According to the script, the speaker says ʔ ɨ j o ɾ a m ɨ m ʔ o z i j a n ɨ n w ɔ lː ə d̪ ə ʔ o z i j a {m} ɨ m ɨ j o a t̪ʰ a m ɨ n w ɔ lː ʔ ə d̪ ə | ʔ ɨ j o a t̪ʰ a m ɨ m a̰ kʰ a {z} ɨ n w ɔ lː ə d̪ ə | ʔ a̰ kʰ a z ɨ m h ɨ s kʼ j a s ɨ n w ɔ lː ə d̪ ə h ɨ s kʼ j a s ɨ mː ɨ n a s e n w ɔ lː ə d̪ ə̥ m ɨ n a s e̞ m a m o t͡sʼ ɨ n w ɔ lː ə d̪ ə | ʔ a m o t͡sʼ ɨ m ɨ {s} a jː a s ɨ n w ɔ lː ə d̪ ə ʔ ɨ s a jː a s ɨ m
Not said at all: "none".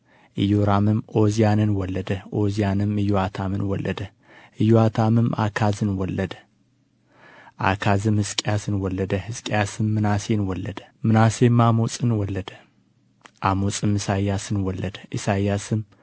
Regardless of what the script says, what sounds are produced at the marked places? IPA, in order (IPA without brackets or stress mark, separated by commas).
n, z, s